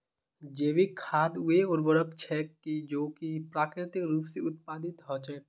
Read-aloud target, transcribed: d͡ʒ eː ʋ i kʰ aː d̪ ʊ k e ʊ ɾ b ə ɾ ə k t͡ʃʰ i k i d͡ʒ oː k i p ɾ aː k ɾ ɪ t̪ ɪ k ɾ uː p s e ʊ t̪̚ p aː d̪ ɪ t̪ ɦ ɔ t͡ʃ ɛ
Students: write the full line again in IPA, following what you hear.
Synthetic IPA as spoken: d͡ʒ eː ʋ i kʰ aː d̪ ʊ e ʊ ɾ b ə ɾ ə k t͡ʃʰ ɛ k i d͡ʒ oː k i p ɾ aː k ɾ ɪ t̪ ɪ k ɾ uː p s e ʊ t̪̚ p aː d̪ ɪ t̪ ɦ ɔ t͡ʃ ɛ